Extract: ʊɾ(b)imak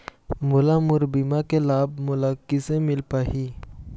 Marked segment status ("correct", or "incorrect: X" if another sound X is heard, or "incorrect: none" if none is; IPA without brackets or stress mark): correct